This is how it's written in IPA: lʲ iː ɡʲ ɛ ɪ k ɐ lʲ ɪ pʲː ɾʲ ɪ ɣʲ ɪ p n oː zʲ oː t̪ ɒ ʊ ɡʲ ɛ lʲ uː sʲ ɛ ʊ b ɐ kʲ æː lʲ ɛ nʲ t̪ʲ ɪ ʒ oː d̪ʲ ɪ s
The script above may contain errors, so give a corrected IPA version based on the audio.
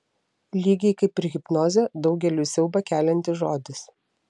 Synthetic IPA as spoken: lʲ iː ɡʲ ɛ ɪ k ɐ ɪ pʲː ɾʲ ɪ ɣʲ ɪ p n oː zʲ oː d̪ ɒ ʊ ɡʲ ɛ lʲ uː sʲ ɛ ʊ b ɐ kʲ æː lʲ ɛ nʲ t̪ʲ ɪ ʒ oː d̪ʲ ɪ s

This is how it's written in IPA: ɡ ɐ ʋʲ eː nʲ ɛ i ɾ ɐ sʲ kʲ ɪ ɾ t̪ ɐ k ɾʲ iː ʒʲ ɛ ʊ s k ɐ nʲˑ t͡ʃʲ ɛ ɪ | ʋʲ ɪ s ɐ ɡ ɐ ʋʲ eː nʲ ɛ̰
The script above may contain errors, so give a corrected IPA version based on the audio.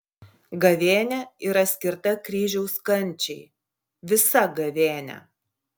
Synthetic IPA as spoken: ɡ ɐ ʋʲ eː nʲ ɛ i ɾ ɐ sʲ kʲ ɪ ɾ t̪ ɐ k ɾʲ iː ʒʲ ɛ ʊ s k ɐ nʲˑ t͡ʃʲ ɛ ɪ | ʋʲ ɪ s ɐ ɡ ɐ ʋʲ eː nʲ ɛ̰

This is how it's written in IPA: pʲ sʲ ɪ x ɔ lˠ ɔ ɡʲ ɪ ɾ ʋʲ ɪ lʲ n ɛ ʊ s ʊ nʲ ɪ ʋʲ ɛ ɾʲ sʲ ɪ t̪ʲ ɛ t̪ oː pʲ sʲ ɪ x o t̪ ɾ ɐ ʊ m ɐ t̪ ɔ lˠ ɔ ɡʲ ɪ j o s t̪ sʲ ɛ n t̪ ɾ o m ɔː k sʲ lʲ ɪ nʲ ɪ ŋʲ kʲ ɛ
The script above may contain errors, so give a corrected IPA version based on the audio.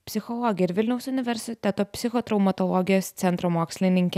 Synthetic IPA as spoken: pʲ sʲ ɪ x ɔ lˠ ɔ ɡʲ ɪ ɾ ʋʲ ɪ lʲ n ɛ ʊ s ʊ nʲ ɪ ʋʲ ɛ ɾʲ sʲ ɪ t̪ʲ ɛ t̪ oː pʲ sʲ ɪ x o t̪ ɾ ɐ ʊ m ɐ t̪ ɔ lˠ ɔ ɡʲ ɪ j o s t̪ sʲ ɛ n t̪ ɾ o m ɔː k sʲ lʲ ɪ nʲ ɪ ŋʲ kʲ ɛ

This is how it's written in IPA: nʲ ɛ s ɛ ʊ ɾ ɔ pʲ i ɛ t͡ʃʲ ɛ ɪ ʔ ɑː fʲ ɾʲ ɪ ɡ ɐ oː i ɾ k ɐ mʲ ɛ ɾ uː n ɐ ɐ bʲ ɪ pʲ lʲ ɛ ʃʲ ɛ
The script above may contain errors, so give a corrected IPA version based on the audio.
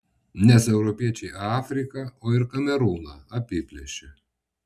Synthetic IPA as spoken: nʲ ɛ s ɛ ʊ ɾ ɔ pʲ i ɛ t͡ʃʲ ɛ ɪ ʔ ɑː fʲ ɾʲ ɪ k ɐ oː ɪ ɾ k ɐ mʲ ɛ ɾ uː n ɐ ɐ pʲ ɪ pʲ lʲ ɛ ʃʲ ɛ

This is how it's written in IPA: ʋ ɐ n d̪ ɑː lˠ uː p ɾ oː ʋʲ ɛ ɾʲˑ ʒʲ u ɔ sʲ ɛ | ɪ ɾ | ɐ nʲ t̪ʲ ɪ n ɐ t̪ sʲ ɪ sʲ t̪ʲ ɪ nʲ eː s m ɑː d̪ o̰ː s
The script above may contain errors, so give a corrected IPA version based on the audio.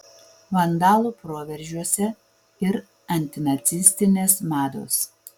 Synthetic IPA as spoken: ʋ ɐ n d̪ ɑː lˠ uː p ɾ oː ʋʲ ɛ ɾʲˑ ʒʲ u ɔ sʲ ɛ | ɪ ɾ | ɐ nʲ t̪ʲ ɪ n ɐ t̪ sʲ ɪ sʲ t̪ʲ ɪ nʲ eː s m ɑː d̪ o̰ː s

